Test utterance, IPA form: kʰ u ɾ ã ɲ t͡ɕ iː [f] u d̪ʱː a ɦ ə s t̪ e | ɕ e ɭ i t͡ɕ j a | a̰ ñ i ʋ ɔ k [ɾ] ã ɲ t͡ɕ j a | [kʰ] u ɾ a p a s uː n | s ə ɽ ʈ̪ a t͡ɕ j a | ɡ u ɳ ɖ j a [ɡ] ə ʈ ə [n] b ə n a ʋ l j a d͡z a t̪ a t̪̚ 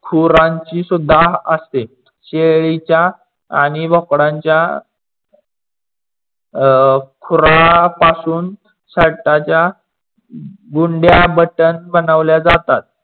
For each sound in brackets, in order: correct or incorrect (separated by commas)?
incorrect, incorrect, correct, incorrect, correct